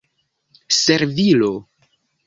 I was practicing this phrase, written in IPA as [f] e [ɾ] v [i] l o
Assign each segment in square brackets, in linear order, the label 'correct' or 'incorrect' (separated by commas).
incorrect, correct, correct